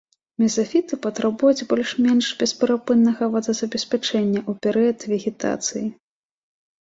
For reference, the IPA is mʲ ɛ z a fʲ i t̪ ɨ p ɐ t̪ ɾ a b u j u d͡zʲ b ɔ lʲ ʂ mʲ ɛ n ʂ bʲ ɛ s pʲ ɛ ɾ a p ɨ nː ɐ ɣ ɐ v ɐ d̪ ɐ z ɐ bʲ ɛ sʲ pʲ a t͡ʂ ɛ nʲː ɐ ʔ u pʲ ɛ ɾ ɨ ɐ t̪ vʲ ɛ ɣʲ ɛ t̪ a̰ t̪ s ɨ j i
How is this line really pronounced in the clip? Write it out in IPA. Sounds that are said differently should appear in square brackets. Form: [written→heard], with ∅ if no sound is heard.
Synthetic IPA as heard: mʲ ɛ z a fʲ i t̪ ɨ p ɐ t̪ ɾ a b u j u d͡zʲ b ɔ lʲ ʂ mʲ ɛ n ʂ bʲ ɛ s pʲ ɛ ɾ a p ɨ nː ɐ ɣ ɐ v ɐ d̪ ɐ z ɐ bʲ ɛ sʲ pʲ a t͡ʂ ɛ nʲː ɐ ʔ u pʲ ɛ ɾ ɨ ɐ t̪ vʲ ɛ ɣʲ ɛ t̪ a̰ t̪ s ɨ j i